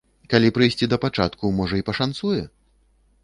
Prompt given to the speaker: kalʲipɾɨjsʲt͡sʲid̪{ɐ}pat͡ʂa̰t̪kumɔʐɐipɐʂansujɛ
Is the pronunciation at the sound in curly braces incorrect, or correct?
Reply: correct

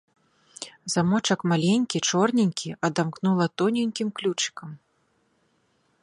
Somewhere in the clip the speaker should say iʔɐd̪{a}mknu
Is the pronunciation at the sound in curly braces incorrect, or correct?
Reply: correct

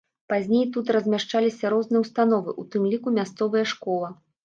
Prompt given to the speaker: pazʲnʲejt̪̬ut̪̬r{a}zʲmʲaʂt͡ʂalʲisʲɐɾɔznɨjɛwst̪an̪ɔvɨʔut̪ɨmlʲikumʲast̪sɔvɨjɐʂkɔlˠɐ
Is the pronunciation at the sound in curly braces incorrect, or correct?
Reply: incorrect: ɐ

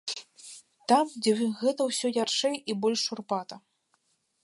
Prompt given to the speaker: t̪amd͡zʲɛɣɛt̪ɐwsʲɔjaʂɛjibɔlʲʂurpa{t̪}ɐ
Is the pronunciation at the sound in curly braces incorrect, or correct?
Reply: correct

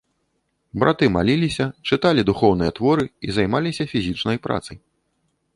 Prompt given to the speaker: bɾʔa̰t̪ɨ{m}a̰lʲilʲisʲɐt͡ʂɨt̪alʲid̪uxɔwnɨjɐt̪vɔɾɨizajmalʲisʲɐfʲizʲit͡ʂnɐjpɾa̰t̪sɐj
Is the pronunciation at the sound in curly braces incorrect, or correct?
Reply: correct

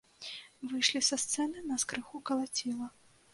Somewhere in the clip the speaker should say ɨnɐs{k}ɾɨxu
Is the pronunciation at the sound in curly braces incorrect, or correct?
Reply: correct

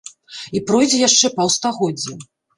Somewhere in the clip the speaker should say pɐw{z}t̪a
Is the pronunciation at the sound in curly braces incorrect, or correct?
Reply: incorrect: s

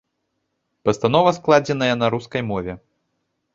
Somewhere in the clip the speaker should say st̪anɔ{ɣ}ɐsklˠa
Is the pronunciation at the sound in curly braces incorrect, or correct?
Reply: incorrect: v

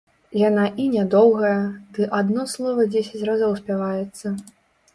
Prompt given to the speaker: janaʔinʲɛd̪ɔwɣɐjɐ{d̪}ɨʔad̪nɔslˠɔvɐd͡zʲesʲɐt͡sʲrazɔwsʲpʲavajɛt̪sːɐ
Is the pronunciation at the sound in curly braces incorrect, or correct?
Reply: correct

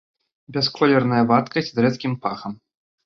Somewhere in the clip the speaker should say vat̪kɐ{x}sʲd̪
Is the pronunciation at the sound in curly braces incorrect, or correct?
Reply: incorrect: none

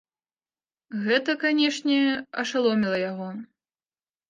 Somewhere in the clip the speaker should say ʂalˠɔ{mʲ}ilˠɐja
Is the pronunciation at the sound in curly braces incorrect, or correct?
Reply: correct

